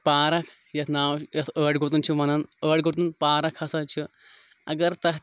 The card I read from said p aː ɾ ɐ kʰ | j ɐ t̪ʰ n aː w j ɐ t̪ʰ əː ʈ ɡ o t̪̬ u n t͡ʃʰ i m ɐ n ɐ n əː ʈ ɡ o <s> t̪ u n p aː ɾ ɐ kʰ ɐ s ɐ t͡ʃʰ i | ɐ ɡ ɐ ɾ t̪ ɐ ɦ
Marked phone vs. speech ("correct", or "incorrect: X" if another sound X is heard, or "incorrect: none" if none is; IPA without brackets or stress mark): incorrect: none